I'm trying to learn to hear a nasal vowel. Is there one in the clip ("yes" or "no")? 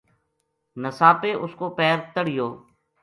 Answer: no